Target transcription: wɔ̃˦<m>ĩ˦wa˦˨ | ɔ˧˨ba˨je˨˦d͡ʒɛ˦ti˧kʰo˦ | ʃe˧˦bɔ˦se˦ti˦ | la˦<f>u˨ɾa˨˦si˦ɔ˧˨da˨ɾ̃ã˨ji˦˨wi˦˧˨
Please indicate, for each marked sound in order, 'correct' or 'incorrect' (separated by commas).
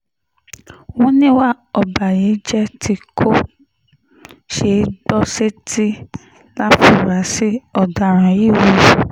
incorrect, correct